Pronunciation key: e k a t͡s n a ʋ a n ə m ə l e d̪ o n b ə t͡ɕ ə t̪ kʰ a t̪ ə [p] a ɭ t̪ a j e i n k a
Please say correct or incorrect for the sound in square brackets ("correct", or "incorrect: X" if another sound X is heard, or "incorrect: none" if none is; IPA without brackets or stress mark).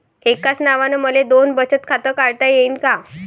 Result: incorrect: k